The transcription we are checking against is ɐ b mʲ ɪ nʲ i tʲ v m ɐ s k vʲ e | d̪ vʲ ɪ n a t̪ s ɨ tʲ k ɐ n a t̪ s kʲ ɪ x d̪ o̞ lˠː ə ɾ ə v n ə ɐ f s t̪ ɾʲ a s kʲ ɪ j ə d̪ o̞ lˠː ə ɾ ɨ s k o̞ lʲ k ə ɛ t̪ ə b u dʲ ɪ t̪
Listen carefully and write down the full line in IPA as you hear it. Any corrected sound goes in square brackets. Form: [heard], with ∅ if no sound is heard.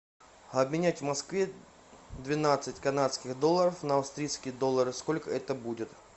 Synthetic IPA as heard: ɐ b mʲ ɪ nʲ [æ] tʲ v m ɐ s k vʲ e | d̪ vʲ ɪ n a t̪ s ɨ tʲ k ɐ n a t̪ s kʲ ɪ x d̪ o̞ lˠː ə ɾ ə [f] n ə ɐ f s t̪ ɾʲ [i] s kʲ ɪ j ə d̪ o̞ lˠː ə ɾ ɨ s k o̞ lʲ k ə ɛ t̪ ə b u dʲ ɪ t̪